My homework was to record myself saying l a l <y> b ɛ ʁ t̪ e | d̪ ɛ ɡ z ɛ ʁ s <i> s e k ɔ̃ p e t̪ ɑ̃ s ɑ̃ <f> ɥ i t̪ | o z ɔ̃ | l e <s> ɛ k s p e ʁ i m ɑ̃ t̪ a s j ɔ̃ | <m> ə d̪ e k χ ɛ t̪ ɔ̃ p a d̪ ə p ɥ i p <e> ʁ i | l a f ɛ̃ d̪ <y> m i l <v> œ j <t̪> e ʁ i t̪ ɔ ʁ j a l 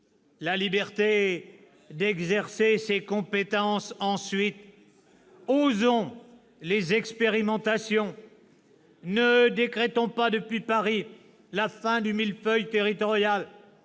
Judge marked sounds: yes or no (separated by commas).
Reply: no, no, no, no, no, no, yes, no, yes